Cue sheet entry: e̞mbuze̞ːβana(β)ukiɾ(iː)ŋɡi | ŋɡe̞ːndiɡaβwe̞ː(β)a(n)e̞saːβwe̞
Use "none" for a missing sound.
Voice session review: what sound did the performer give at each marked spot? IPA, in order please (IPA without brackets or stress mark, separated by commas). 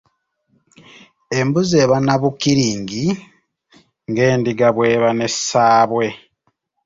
β, iː, β, n